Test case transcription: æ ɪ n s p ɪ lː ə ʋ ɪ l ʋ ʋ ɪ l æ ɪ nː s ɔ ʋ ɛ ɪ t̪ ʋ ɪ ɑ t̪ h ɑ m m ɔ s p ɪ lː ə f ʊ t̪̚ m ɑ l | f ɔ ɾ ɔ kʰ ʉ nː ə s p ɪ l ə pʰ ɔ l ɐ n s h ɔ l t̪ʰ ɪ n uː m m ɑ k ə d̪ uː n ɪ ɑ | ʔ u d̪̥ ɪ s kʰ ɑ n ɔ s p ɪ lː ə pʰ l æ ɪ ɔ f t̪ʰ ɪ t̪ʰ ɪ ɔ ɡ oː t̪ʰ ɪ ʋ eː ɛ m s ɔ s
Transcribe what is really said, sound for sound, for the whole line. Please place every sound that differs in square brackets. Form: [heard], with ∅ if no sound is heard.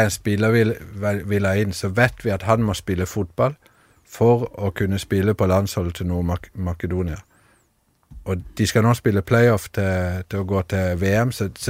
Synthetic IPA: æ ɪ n s p ɪ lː ə ʋ ɪ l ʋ ʋ ɪ l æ ɪ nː s ɔ ʋ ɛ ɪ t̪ ʋ ɪ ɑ t̪ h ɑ [n] m ɔ s p ɪ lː ə f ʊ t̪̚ [b] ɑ l | f ɔ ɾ ɔ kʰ ʉ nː ə s p ɪ l ə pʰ ɔ l [ɑ] n s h ɔ l t̪ʰ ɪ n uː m m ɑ k ə d̪ uː n ɪ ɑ | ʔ [ɔ] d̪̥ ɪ s [k] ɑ n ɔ s p ɪ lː ə pʰ l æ ɪ ɔ f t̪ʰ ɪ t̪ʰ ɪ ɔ ɡ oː t̪ʰ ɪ ʋ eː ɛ m s ɔ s